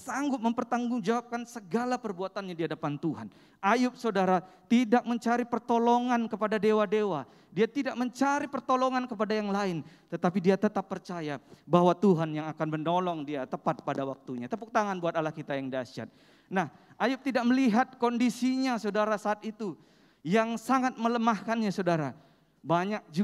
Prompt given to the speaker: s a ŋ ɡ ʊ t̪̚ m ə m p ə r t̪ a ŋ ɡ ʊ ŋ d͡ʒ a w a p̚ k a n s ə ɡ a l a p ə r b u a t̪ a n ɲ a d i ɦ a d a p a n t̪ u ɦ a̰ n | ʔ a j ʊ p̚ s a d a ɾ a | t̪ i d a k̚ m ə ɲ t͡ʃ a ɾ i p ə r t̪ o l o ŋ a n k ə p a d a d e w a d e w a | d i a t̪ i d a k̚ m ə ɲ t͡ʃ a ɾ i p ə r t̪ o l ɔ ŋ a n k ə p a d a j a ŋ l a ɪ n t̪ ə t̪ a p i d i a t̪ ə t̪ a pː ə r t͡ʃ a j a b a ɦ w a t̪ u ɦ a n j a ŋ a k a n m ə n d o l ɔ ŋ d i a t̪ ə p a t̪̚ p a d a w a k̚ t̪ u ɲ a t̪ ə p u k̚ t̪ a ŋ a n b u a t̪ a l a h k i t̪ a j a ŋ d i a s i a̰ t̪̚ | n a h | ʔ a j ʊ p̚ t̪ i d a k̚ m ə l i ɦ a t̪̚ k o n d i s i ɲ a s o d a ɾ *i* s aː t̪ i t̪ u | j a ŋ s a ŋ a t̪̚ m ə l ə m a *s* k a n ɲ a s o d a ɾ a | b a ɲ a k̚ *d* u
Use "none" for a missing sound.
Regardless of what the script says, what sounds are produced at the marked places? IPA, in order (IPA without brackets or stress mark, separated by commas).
a, h, d͡ʒ